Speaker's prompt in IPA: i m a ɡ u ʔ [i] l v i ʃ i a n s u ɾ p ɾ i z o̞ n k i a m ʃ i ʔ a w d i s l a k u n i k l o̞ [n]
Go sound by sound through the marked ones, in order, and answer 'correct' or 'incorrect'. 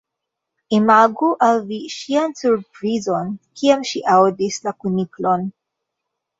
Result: incorrect, correct

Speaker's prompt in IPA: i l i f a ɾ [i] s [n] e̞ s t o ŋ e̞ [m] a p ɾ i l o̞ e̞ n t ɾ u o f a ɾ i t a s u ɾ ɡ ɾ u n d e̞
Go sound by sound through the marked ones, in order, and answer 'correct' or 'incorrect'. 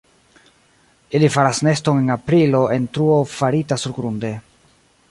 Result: incorrect, correct, incorrect

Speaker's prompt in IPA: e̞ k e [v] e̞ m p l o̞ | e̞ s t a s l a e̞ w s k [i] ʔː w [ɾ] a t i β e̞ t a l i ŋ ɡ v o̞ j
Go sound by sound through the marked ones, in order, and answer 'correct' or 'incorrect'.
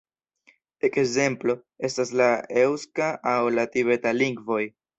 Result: incorrect, incorrect, incorrect

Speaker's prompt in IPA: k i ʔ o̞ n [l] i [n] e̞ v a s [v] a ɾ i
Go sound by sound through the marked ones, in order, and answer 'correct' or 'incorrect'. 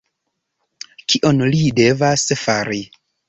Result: correct, incorrect, incorrect

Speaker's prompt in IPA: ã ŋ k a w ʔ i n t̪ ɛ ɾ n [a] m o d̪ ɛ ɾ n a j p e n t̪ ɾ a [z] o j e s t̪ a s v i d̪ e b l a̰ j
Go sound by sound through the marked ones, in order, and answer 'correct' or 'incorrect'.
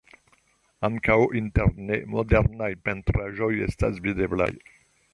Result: incorrect, incorrect

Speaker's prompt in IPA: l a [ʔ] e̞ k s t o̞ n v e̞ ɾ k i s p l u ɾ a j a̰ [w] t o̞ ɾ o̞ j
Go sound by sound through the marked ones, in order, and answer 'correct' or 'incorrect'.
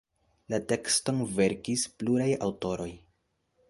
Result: incorrect, correct

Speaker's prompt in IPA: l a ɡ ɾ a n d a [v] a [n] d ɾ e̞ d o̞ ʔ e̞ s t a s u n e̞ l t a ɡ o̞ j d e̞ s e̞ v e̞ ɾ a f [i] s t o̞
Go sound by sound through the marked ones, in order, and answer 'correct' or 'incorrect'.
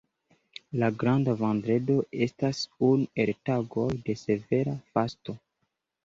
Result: correct, correct, incorrect

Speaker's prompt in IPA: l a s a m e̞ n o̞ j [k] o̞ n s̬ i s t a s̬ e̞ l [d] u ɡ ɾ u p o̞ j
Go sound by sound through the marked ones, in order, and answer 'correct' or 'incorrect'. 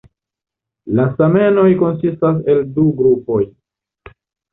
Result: correct, correct

